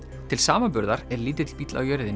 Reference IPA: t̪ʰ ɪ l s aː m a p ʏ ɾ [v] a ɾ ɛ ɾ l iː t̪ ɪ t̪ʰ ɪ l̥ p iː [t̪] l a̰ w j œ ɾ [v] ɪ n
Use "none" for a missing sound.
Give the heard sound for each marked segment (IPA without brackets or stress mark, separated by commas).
ð, t̪, ð